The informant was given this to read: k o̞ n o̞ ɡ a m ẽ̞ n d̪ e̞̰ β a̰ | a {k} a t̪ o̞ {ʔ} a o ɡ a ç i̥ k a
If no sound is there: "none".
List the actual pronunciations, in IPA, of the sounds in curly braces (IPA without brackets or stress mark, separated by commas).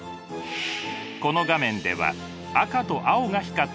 k, ʔ